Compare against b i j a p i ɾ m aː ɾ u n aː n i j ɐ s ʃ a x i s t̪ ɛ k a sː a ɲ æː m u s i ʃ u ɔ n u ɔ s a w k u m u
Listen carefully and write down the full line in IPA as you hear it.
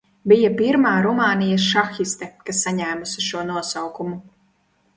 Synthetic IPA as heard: b i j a p i ɾ m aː ɾ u m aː n i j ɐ s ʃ a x i s t̪ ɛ k a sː a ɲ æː m u s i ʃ u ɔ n u ɔ s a w k u m u